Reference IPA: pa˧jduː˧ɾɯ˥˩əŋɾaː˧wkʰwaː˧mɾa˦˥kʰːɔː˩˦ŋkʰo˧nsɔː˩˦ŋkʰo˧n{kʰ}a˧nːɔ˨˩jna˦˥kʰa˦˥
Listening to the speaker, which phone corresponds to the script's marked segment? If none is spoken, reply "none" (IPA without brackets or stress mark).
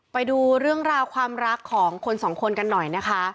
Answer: k